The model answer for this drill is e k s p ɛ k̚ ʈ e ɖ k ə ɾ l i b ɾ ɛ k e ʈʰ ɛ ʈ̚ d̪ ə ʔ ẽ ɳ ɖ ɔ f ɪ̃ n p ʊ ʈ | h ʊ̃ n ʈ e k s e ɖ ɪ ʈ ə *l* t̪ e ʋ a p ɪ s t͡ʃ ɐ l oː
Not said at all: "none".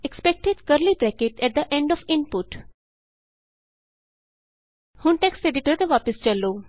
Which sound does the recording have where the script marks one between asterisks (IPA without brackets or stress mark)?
ɾ